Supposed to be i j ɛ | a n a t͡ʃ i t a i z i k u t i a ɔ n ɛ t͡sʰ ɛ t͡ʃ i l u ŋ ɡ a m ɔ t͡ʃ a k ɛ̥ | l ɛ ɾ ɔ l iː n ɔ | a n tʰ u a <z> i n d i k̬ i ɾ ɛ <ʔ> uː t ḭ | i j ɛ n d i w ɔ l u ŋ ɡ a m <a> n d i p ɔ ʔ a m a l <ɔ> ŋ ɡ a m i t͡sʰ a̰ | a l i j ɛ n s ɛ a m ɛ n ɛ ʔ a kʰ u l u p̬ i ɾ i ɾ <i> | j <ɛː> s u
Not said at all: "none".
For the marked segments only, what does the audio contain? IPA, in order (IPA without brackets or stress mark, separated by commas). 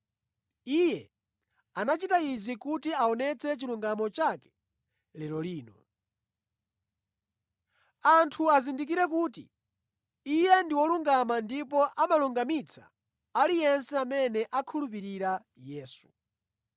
z, k, a, u, a, ɛː